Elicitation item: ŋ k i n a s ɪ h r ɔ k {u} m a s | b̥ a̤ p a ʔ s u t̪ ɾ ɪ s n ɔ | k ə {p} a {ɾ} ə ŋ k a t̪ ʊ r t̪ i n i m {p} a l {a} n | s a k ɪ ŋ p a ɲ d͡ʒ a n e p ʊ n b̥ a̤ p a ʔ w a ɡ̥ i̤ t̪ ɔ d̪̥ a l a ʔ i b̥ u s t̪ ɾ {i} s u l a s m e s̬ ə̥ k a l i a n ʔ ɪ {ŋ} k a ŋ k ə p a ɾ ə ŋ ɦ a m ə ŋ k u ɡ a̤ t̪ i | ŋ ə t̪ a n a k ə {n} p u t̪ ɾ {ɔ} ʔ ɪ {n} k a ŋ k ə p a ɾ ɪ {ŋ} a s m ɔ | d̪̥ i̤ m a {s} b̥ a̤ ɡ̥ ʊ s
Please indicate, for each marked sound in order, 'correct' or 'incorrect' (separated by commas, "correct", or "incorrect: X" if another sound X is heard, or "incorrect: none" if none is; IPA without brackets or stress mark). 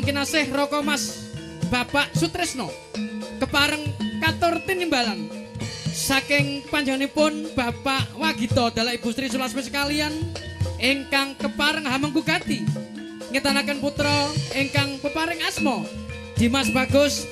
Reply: incorrect: ɔ, correct, correct, incorrect: b, correct, correct, correct, correct, correct, incorrect: ŋ, correct, correct